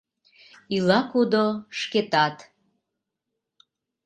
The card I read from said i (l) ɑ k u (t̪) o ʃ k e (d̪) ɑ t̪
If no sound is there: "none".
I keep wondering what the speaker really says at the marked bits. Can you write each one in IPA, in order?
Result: l, d̪, t̪

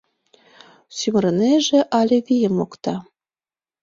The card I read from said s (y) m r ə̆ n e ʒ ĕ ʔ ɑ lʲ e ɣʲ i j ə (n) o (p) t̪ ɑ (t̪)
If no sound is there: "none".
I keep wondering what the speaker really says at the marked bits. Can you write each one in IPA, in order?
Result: y, m, k, none

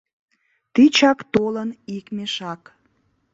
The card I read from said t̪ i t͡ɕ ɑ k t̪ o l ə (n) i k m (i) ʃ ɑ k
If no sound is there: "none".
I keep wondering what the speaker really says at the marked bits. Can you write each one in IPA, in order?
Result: n, e

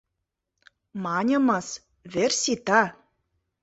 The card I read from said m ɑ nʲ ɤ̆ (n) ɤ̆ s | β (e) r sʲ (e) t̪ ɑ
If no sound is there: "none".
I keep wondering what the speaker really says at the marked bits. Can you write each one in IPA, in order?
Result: m, e, i

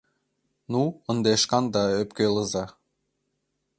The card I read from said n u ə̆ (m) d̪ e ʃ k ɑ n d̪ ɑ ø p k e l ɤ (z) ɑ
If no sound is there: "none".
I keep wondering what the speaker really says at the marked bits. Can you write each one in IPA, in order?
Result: n, z

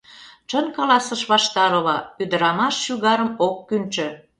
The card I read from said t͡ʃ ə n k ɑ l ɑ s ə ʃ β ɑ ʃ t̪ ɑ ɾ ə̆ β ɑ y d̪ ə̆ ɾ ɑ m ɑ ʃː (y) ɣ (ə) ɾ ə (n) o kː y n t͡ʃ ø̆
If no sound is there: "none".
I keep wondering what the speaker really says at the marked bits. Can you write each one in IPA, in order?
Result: y, ɑ, m

